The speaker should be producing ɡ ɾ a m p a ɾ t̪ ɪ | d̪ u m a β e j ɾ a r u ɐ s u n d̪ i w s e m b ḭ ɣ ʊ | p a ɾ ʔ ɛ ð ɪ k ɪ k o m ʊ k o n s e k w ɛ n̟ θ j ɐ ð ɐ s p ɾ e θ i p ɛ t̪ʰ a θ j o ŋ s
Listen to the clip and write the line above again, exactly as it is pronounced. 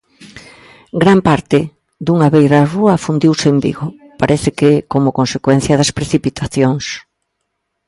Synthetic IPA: ɡ ɾ a m p a ɾ t̪ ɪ | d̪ u ŋ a β e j ɾ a r u ɐ f u n d̪ i w s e m b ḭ ɣ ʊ | p a ɾ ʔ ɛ θ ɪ k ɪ k o m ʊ k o n s e k w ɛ n̟ θ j ɐ ð ɐ s p ɾ e θ i p i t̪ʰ a θ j o ŋ s